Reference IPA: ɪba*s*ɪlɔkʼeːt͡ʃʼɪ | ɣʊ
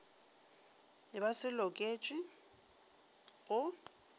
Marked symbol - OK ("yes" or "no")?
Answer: yes